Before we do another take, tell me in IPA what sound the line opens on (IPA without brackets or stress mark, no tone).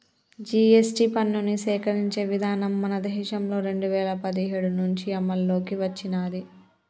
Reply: d͡ʒ